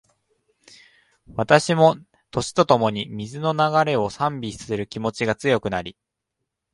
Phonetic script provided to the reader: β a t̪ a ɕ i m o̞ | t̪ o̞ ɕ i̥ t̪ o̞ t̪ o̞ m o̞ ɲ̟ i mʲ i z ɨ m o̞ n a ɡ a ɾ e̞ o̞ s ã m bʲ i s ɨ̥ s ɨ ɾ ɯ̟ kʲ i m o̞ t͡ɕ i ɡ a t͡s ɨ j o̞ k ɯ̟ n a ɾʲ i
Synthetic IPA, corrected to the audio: β a t̪ a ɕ i m o̞ | t̪ o̞ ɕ i̥ t̪ o̞ t̪ o̞ m o̞ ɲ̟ i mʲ i z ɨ n o̞ n a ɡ a ɾ e̞ o̞ s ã m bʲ i s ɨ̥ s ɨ ɾ ɯ̟ kʲ i m o̞ t͡ɕ i ɡ a t͡s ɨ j o̞ k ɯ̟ n a ɾʲ i